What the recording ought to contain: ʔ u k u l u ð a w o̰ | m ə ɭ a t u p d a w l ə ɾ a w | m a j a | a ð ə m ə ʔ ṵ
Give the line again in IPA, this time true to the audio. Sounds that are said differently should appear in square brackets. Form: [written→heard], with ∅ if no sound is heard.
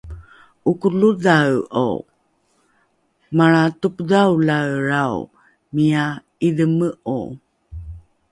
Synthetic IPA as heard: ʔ u k u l u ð a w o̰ | m [ə→a] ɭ a t u p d a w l [ə→a] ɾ a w | m [a→i] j a | [a→i] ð ə m ə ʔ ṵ